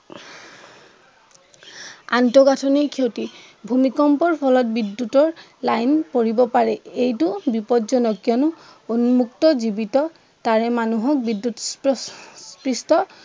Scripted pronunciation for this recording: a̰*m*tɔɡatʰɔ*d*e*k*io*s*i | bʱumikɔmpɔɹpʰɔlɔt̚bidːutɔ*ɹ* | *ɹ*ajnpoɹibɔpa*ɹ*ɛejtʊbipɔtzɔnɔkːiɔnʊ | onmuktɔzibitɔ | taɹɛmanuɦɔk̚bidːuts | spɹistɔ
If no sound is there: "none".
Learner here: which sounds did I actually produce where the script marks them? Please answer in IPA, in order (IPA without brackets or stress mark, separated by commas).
n, n, kʰ, t, ɹ, l, ɹ